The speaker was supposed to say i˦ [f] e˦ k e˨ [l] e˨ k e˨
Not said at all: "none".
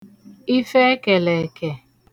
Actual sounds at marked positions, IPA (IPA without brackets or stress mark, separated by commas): f, l